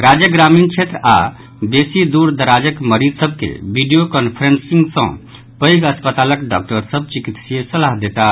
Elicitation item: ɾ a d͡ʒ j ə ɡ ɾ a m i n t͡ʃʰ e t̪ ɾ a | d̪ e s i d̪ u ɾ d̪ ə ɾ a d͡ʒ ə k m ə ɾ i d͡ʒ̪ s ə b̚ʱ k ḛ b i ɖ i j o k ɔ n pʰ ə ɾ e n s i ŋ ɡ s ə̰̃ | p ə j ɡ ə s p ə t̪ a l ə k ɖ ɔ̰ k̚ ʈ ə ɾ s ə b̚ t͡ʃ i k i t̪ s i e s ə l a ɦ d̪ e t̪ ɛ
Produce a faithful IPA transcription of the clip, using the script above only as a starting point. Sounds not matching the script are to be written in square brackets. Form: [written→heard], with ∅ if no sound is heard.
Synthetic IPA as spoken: ɾ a d͡ʒ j ə ɡ ɾ a m i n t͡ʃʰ e t̪ ɾ a | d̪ e s i d̪ u ɾ d̪ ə ɾ a d͡ʒ ə k m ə ɾ i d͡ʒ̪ s ə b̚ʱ k ḛ b i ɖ i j o k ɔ n pʰ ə ɾ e n s i ŋ ɡ s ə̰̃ | p ə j ɡ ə s p ə t̪ a l ə k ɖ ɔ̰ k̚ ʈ ə ɾ s ə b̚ t͡ʃ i k i t̪ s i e s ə l a ɦ d̪ e t̪ [ɛ→a]

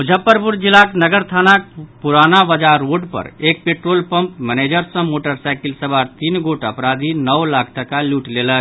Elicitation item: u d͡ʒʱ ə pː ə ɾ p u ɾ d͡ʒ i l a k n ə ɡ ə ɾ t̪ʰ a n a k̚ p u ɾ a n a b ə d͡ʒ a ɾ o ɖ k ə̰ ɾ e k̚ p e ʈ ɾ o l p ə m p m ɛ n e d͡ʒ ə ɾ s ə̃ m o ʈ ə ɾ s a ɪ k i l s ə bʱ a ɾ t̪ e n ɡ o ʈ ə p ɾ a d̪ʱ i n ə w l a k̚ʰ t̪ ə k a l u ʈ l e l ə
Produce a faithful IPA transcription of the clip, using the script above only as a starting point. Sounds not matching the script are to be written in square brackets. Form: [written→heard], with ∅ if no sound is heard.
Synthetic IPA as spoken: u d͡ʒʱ ə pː ə ɾ p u ɾ d͡ʒ i l a k n ə ɡ ə ɾ t̪ʰ a n a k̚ p u ɾ a n a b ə d͡ʒ a ɾ o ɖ [k→p] ə̰ ɾ e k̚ p e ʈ ɾ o l p ə m p m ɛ n e d͡ʒ ə ɾ s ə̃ m o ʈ ə ɾ s a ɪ k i l s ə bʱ a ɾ t̪ [e→i] n ɡ o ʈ ə p ɾ a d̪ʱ i n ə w l a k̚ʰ t̪ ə k a l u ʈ l e l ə

